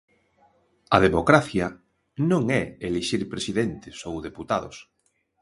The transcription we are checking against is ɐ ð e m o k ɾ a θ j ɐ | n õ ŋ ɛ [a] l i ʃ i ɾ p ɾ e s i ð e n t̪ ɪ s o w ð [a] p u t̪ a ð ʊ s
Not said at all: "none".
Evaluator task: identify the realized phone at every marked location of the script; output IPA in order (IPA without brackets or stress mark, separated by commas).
e, e